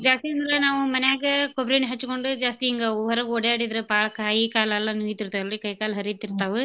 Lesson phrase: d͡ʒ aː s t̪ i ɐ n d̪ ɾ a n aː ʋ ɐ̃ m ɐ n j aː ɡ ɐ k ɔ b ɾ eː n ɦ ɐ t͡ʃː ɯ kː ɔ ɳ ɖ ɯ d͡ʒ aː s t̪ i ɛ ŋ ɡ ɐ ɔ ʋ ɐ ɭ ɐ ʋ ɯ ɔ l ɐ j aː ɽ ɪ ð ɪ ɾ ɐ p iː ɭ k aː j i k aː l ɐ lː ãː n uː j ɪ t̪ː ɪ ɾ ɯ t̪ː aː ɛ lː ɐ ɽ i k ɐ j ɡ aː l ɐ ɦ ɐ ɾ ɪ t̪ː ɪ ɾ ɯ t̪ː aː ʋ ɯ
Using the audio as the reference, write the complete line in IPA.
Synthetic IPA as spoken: d͡ʒ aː s t̪ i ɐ n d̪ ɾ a n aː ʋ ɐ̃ m ɐ n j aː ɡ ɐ k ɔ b ɾ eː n ɦ ɐ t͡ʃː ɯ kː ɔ ɳ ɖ ɯ d͡ʒ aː s t̪ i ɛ ŋ ɡ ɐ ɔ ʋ ɐ ɾ ɐ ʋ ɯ ɔ ɽ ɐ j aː ɽ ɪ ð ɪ ɾ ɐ p aː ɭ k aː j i k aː l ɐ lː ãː n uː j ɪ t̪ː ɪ ɾ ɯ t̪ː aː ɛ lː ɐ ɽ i k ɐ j k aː l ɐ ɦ ɐ ɾ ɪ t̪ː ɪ ɾ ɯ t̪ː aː ʋ ɯ